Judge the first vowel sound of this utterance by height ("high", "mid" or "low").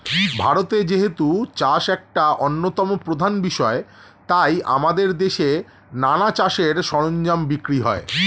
low